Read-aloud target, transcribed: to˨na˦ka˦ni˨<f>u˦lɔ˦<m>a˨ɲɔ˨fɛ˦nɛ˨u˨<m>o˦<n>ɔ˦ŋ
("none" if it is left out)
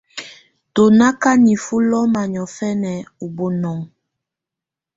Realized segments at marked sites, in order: f, m, b, n

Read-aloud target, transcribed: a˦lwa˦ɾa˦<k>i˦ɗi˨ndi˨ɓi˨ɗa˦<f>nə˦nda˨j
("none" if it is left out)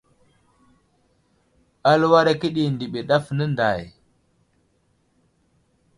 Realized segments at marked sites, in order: k, f

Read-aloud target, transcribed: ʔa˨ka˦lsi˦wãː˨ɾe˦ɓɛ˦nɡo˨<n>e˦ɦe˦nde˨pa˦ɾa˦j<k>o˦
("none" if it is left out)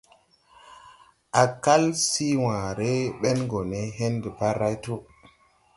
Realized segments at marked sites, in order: n, t

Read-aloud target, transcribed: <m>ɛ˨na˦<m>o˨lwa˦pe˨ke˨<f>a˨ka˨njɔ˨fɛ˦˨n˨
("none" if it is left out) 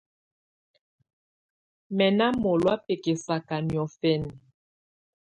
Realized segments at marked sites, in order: m, m, s

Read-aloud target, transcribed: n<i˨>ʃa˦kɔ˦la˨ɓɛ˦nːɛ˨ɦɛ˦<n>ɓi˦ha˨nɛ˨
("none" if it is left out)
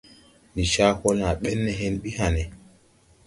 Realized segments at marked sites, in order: i˨, n

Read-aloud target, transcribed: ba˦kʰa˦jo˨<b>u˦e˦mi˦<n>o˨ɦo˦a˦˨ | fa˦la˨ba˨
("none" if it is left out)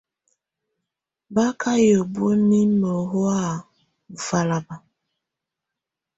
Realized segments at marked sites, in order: b, m

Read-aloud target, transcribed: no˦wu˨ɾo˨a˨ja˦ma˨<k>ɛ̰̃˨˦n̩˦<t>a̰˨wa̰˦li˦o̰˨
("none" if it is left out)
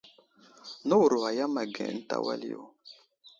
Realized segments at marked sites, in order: ɡ, t

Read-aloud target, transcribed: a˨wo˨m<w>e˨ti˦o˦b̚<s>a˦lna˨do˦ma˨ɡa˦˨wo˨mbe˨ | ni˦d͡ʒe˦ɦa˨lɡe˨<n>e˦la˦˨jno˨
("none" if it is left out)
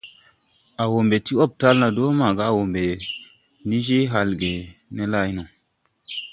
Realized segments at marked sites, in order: b, t, n

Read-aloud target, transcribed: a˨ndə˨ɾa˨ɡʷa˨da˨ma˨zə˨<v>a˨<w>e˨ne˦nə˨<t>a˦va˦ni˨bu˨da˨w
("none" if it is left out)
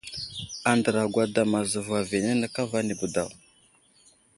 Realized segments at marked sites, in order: v, v, k

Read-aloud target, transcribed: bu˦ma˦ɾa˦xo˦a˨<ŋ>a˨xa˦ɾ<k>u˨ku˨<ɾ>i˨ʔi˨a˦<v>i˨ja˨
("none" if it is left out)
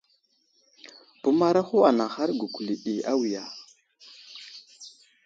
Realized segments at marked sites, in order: n, ɡ, l, w

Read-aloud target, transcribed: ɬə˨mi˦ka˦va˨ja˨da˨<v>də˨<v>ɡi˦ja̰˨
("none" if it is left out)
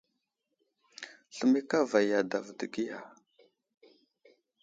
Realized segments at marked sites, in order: v, none

